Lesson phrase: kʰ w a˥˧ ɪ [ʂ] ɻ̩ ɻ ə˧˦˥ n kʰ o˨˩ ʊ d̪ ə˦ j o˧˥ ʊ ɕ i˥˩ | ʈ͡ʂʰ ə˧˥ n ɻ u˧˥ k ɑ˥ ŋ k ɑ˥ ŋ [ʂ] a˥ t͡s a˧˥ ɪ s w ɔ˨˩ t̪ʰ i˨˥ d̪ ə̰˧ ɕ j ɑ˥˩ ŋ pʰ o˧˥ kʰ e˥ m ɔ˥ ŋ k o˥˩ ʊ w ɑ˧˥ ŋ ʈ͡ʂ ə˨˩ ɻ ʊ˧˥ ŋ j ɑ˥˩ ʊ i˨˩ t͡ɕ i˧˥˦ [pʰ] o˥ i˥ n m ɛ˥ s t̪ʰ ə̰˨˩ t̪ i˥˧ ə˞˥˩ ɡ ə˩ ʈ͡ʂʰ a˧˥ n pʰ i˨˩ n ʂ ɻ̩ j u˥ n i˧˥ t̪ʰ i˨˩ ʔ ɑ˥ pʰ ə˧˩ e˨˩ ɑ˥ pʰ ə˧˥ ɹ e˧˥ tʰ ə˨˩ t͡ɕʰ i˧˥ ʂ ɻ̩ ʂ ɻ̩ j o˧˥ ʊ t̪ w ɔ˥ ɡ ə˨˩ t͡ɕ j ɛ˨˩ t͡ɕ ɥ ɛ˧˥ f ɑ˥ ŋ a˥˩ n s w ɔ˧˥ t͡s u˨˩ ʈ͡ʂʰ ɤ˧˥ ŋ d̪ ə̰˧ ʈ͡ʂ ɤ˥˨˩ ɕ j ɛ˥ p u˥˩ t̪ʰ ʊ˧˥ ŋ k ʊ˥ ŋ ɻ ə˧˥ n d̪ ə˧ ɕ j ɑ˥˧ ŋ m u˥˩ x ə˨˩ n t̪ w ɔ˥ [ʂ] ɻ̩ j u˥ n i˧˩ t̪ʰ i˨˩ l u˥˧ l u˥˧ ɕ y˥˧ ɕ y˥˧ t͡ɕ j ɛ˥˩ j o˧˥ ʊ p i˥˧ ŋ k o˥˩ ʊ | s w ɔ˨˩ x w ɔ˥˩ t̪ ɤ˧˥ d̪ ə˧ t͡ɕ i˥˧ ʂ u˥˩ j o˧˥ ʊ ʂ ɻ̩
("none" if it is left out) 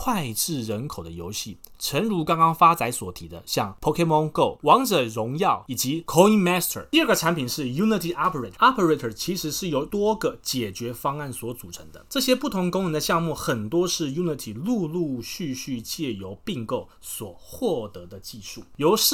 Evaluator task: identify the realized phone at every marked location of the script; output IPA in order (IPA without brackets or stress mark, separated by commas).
ʈ͡ʂ, f, kʰ, ʂ